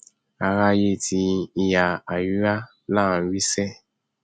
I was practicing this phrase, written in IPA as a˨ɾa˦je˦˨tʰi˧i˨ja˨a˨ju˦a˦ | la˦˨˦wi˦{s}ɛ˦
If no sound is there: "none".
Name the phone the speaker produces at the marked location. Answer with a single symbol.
s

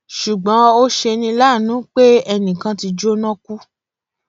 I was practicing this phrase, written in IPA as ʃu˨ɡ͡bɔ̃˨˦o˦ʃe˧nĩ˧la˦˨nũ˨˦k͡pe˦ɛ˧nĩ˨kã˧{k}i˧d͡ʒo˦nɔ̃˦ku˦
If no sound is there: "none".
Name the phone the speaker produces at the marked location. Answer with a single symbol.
t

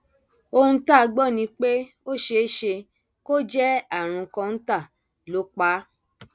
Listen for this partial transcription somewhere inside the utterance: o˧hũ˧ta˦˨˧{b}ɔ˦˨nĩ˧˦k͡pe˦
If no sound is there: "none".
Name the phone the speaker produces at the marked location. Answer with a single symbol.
ɡ͡b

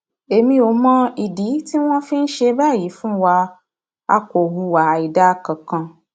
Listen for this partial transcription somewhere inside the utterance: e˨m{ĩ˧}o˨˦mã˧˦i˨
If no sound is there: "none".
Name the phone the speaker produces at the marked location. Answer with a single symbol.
ĩ˧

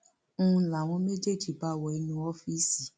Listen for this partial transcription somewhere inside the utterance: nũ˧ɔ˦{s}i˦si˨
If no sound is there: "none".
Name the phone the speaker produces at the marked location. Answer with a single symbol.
f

